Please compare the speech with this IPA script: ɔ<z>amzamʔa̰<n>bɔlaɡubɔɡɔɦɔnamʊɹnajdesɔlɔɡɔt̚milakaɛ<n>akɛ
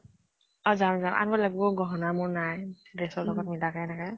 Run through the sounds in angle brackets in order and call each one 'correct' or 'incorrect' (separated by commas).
correct, correct, correct